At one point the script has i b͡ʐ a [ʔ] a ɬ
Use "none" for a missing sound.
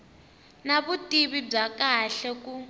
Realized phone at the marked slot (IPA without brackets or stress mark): k